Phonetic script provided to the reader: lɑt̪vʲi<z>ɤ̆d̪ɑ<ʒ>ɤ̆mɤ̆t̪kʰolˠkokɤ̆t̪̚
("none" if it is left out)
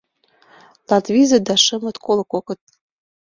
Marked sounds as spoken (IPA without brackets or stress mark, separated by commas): z, ʃ